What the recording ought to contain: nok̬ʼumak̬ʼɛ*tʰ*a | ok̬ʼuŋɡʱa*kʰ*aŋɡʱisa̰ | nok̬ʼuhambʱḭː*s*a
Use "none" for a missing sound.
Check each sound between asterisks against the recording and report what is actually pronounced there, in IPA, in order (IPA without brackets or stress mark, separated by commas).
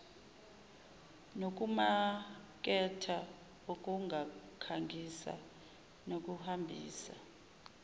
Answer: tʰ, kʰ, s